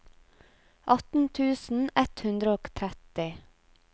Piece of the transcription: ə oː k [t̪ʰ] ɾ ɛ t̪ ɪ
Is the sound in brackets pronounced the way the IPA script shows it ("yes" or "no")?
yes